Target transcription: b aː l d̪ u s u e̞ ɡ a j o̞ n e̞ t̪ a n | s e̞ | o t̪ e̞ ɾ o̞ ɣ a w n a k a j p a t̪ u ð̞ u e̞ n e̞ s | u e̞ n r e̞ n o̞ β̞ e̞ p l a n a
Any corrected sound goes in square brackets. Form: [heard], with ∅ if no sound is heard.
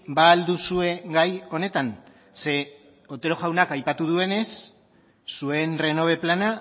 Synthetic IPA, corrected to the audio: b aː l d̪ u s u e̞ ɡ a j o̞ n e̞ t̪ a n | s e̞ | o t̪ e̞ ɾ o̞ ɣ a w n a k a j p a t̪ u ð̞ u e̞ n e̞ [sː] | u e̞ n r e̞ n o̞ β̞ e̞ p l a n a